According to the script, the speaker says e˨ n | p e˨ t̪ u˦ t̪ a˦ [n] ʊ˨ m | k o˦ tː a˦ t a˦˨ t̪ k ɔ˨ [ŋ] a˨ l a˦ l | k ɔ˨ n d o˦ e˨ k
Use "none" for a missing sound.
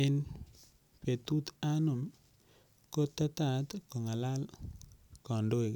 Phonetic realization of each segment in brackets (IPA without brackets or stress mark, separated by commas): n, ŋ